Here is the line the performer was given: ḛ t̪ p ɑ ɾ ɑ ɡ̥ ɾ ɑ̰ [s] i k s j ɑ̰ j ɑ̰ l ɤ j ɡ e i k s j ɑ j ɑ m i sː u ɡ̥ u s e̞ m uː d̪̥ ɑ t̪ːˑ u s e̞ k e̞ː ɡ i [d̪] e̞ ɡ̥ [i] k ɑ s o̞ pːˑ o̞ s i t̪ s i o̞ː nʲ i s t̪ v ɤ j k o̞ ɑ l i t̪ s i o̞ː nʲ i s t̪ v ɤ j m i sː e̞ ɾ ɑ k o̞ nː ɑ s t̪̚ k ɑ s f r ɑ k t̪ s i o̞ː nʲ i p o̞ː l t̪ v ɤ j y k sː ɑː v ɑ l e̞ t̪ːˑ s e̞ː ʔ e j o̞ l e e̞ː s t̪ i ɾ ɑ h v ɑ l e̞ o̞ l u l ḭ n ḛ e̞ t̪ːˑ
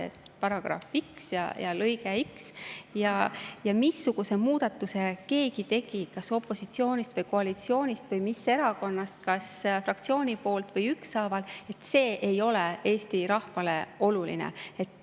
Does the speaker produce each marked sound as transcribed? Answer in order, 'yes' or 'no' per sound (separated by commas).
no, no, yes